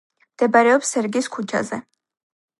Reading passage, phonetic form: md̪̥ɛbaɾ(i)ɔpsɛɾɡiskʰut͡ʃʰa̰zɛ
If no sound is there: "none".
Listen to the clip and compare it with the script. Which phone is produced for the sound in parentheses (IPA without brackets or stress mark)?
ɛ